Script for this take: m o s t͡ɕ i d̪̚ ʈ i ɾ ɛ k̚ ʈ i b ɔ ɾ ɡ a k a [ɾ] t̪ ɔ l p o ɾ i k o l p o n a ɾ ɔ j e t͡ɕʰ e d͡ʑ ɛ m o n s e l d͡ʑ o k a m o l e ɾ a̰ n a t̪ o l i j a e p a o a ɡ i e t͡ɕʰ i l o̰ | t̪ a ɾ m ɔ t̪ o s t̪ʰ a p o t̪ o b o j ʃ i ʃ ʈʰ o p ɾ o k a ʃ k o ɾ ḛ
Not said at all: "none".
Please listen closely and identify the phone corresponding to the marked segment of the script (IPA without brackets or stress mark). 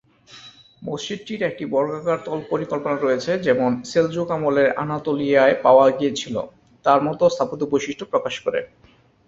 ɾ